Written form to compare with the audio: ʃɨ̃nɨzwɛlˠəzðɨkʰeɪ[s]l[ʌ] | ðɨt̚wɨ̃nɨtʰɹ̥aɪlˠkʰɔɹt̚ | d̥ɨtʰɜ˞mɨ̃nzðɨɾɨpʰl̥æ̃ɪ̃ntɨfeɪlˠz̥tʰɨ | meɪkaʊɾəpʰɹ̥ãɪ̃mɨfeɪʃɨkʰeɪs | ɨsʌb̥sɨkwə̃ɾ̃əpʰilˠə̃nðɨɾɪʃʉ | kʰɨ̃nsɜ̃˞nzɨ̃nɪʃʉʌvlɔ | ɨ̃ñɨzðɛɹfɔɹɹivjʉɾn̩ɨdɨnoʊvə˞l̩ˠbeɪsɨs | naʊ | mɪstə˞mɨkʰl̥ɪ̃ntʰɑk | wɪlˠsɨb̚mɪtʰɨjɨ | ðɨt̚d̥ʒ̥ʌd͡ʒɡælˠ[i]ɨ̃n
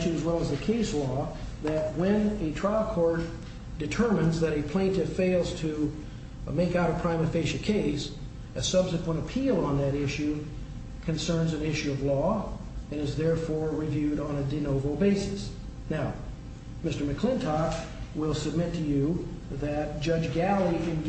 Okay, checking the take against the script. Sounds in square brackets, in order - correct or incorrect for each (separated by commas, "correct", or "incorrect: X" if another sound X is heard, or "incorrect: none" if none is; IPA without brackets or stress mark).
correct, incorrect: ɔ, correct